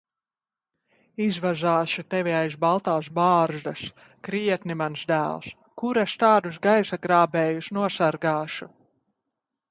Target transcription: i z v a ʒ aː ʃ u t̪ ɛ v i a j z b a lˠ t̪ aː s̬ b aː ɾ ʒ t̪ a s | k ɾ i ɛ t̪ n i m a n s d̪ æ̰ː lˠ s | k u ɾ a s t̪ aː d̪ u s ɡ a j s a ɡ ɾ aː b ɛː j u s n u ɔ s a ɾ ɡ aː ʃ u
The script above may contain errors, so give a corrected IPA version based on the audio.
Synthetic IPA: i z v a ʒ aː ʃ u t̪ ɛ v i a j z b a lˠ t̪ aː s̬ b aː ɾ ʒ d̪ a s | k ɾ i ɛ t̪ n i m a n s d̪ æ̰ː lˠ s | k u ɾ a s t̪ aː d̪ u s ɡ a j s a ɡ ɾ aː b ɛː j u s n u ɔ s a ɾ ɡ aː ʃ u